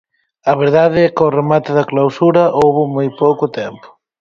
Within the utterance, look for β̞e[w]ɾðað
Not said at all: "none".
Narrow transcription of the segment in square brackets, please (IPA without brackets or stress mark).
none